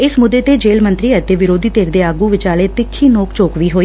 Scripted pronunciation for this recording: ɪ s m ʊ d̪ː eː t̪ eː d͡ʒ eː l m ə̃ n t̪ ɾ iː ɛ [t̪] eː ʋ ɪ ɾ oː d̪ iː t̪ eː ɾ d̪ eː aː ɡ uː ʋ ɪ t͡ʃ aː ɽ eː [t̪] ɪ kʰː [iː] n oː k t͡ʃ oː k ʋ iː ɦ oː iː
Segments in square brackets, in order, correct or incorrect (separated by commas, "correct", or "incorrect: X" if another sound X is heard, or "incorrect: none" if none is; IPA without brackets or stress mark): correct, correct, correct